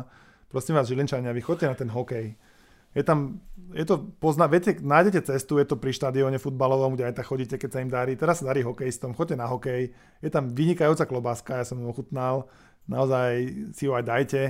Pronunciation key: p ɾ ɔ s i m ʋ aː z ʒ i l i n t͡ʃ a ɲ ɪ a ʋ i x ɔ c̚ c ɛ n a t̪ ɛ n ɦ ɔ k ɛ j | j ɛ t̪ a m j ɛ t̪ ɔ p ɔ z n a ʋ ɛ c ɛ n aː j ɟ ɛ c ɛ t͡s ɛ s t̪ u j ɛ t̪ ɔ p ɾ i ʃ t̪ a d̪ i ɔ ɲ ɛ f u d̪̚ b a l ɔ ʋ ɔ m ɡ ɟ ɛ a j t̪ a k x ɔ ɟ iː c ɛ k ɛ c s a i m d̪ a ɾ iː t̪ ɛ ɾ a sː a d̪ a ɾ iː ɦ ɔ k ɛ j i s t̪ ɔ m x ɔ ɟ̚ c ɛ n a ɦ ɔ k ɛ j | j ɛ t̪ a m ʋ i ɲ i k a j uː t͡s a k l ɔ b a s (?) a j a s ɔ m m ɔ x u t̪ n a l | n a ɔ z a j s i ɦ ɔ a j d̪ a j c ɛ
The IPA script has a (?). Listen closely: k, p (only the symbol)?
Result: k